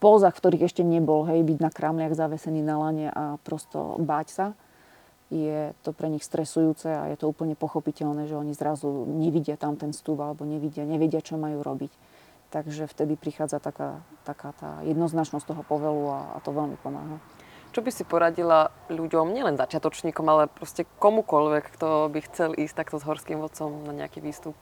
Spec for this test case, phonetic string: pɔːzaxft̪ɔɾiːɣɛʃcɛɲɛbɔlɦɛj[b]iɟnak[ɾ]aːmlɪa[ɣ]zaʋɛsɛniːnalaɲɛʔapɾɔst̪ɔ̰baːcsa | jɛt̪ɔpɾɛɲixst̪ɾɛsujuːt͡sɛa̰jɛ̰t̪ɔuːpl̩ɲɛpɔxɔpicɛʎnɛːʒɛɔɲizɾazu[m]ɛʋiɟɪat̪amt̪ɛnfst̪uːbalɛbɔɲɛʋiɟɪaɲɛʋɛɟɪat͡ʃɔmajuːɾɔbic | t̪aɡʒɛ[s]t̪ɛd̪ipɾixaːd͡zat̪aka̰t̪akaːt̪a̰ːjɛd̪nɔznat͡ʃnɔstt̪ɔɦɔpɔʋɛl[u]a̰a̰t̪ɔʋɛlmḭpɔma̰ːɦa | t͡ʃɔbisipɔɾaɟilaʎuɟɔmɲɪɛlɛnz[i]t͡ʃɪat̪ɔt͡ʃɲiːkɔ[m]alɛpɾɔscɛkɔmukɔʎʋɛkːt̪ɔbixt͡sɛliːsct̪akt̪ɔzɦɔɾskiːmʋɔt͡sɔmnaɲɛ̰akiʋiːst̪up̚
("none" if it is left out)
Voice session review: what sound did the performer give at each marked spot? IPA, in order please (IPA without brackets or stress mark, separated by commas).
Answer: b, ɾ, ɣ, ɲ, f, u, a, m